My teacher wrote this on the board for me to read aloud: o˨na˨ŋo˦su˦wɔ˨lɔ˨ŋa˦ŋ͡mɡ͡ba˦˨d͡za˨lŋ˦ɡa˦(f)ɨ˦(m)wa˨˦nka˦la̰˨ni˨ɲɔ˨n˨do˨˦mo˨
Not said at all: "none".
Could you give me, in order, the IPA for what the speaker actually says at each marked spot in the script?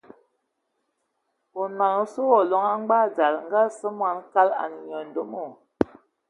s, m

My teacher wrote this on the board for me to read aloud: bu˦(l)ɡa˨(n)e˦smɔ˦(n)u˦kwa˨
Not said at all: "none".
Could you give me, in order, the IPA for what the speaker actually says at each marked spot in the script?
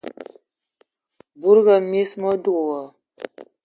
ɾ, m, d

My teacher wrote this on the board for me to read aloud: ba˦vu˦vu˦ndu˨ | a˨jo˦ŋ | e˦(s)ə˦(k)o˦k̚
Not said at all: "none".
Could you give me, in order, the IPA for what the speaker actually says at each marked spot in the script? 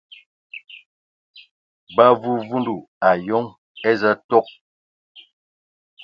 z, t

